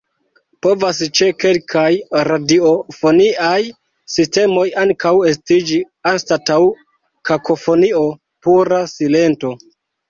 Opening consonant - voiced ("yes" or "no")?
no